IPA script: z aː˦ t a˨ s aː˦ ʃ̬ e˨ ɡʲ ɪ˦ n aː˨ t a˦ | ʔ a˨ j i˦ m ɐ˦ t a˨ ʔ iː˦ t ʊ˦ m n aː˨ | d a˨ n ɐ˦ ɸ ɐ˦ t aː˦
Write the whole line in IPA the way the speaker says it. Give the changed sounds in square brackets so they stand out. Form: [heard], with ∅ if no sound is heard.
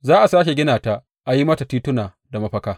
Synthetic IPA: z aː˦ [ʔ] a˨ s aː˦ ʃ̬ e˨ ɡʲ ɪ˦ n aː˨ t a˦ | ʔ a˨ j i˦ m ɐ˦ t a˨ [t] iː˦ t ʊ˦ [∅] n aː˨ | d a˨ [m] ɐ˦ ɸ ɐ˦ [k] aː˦